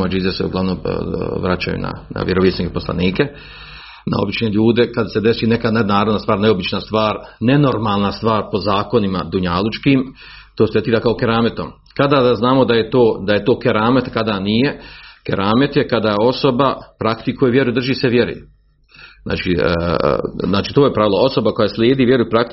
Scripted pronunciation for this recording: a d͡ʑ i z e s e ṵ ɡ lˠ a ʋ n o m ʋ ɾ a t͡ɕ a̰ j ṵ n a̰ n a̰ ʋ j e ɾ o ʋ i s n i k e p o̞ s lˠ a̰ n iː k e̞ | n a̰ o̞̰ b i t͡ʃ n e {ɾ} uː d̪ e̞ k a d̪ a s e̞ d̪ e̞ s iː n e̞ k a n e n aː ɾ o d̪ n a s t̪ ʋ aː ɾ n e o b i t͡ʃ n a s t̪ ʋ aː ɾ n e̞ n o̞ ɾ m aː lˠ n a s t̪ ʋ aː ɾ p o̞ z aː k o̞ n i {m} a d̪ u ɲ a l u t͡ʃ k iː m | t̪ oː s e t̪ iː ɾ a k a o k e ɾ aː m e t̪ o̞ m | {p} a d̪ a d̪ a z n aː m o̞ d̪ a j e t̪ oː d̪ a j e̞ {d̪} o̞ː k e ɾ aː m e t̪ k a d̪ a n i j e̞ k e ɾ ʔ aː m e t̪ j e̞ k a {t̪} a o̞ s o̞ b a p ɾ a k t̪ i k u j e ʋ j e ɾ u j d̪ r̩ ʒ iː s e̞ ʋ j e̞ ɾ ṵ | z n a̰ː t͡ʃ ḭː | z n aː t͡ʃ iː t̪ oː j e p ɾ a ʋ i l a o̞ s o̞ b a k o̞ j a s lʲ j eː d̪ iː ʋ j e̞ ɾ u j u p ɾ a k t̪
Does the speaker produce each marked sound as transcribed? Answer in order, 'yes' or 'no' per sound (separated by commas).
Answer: no, yes, no, no, no